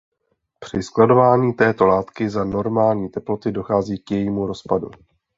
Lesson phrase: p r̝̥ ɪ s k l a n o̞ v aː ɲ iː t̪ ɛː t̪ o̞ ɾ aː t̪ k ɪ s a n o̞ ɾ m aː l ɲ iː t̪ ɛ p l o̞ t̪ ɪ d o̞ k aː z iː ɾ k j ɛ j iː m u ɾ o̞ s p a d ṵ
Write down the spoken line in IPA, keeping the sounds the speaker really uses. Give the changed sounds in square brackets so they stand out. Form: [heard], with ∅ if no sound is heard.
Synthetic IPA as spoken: p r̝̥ ɪ s k l a [d] o̞ v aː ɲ iː t̪ ɛː t̪ o̞ [l] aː t̪ k ɪ [z] a n o̞ ɾ m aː l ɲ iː t̪ ɛ p l o̞ t̪ ɪ d o̞ [x] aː z iː [∅] k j ɛ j iː m u ɾ o̞ s p a d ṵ

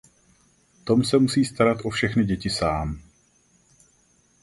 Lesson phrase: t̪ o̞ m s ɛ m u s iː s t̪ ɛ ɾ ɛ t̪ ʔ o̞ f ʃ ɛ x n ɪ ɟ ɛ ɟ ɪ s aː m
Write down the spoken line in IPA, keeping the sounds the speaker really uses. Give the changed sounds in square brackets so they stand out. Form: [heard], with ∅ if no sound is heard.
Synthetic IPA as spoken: t̪ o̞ m s ɛ m u s iː s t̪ [a] ɾ [a] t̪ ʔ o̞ f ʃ ɛ x n ɪ ɟ ɛ [c] ɪ s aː m

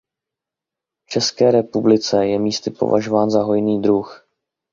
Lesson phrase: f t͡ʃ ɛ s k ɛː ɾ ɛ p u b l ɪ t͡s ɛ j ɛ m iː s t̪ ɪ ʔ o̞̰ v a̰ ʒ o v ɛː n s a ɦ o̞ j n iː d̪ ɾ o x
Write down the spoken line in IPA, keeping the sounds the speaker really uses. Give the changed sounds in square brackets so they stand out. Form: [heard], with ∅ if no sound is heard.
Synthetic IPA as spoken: f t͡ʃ ɛ s k ɛː ɾ ɛ p u b l ɪ t͡s ɛ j ɛ m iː s t̪ ɪ [p] o̞̰ v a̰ ʒ o v [aː] n [z] a ɦ o̞ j n iː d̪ ɾ [u] x

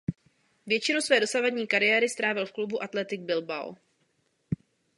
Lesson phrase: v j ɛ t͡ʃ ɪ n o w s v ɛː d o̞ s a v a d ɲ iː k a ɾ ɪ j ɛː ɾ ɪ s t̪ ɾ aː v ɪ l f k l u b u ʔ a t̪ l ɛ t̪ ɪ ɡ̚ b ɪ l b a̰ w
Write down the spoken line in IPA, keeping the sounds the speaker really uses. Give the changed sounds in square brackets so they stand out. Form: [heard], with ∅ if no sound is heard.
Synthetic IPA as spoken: v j ɛ t͡ʃ ɪ n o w s v ɛː d o̞ s a v a d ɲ iː k a ɾ ɪ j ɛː ɾ ɪ s t̪ ɾ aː v ɪ l f k l u b u ʔ a t̪ l ɛ t̪ ɪ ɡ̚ b ɪ l b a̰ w

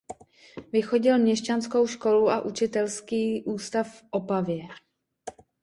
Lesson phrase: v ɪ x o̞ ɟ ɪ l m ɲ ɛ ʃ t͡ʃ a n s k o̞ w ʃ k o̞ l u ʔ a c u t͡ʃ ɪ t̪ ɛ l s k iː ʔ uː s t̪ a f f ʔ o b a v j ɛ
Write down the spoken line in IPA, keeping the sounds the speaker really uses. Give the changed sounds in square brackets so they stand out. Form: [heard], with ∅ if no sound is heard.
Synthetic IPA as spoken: v ɪ x o̞ ɟ ɪ l m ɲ ɛ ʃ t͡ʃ a n s k o̞ w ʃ k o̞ l u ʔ a [ʔ] u t͡ʃ ɪ t̪ ɛ l s k iː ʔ uː s t̪ a f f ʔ o [p] a v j ɛ

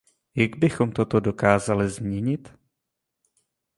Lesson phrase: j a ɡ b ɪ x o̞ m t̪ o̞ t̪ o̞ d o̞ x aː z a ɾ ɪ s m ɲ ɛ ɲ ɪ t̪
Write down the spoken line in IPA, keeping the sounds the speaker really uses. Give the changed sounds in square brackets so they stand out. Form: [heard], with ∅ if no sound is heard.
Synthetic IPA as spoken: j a ɡ b ɪ x o̞ m t̪ o̞ t̪ o̞ d o̞ [k] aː z a [l] ɪ [z] m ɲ ɛ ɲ ɪ t̪

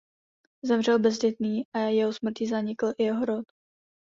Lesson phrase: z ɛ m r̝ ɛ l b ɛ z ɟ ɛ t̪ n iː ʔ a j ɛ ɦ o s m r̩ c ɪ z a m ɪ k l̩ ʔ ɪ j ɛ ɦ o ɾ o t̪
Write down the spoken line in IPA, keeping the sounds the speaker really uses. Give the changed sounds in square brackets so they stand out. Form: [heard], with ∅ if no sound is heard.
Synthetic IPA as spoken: z ɛ m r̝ ɛ l b ɛ z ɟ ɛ t̪ n iː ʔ a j ɛ ɦ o s m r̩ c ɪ z a [ɲ] ɪ k l̩ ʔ ɪ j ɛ ɦ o ɾ o t̪

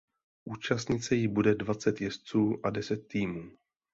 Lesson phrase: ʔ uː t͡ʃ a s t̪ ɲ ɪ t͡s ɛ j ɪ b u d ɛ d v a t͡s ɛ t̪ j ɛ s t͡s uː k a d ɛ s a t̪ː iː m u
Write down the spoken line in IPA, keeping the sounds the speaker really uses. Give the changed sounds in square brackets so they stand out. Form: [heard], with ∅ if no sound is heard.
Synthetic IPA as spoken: ʔ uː t͡ʃ a s t̪ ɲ ɪ t͡s ɛ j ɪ b u d ɛ d v a t͡s ɛ t̪ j ɛ s t͡s uː [ʔ] a d ɛ s [ɛ] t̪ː iː m [uː]

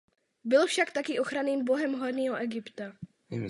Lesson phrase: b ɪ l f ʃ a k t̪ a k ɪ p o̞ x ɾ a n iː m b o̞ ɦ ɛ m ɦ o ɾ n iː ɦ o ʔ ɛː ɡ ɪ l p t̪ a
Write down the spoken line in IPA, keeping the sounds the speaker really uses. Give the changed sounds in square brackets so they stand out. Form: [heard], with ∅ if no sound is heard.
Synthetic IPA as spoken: b ɪ l f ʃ a k t̪ a k ɪ [ʔ] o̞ x ɾ a n iː m b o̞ ɦ ɛ m ɦ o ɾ n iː ɦ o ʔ [ɛ] ɡ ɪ [∅] p t̪ a

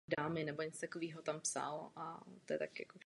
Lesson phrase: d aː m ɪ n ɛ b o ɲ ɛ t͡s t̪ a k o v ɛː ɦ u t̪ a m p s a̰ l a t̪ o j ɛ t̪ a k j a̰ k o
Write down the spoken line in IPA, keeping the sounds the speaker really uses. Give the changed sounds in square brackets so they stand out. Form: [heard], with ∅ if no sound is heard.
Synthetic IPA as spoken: d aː m ɪ n ɛ b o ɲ ɛ t͡s t̪ a k o v [iː] ɦ [o] t̪ a m p s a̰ l a t̪ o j ɛ t̪ a k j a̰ k o

